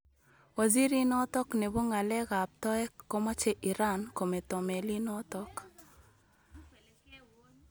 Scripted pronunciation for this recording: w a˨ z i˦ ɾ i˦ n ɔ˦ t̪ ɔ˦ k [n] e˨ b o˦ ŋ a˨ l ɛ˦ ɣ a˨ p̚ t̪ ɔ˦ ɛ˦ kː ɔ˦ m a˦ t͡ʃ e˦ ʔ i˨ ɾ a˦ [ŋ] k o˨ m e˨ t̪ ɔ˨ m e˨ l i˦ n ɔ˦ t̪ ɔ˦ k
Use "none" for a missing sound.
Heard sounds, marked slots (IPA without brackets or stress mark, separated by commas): n, n